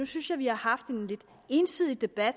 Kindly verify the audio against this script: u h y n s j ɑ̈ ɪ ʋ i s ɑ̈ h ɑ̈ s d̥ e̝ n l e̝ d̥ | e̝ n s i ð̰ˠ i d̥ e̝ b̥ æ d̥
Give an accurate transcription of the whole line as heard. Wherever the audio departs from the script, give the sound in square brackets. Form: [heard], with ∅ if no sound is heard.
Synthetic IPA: u [s] y n s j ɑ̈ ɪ ʋ i [h] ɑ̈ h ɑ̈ [f] d̥ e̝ n l e̝ d̥ | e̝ n s i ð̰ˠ i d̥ e̝ b̥ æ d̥